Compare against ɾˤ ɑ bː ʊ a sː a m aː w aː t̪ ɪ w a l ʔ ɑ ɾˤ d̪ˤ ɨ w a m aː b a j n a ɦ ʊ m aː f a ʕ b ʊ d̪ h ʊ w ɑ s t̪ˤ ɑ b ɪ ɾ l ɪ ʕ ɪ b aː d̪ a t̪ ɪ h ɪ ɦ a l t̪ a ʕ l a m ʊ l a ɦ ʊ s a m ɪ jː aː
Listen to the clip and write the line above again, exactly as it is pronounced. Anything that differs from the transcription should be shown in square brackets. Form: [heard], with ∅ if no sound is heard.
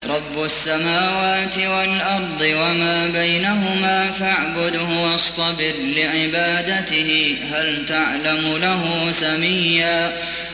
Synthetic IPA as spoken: ɾˤ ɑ bː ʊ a sː a m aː w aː t̪ ɪ w a l ʔ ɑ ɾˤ d̪ˤ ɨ w a m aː b a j n a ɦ ʊ m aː f a ʕ b ʊ d̪ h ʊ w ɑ s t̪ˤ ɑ b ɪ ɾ l ɪ ʕ ɪ b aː d̪ a t̪ ɪ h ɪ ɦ a l t̪ a ʕ l a m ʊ l a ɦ ʊ s a m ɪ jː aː